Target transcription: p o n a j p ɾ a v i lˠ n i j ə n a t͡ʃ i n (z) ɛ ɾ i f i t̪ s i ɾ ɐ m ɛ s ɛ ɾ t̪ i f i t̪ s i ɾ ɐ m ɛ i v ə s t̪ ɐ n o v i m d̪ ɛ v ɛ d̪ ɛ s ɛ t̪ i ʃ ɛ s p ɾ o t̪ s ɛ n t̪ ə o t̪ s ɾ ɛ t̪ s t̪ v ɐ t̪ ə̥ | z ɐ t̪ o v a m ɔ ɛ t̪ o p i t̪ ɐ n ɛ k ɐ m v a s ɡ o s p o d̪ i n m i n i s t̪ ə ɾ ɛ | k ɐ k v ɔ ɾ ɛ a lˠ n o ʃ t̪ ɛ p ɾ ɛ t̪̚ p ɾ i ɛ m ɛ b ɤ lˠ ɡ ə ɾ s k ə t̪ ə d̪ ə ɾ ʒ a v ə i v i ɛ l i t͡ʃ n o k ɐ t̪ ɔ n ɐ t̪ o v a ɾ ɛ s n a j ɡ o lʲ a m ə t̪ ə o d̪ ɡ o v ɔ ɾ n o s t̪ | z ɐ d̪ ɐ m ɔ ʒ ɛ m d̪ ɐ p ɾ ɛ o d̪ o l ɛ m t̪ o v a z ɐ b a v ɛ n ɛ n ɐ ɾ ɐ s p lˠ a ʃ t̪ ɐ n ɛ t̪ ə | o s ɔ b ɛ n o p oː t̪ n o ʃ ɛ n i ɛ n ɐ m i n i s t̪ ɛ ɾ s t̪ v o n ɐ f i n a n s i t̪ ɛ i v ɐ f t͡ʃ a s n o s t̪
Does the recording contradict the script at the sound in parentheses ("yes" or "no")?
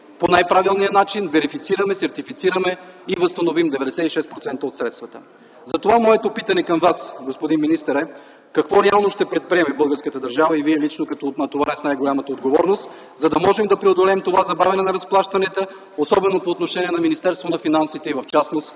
yes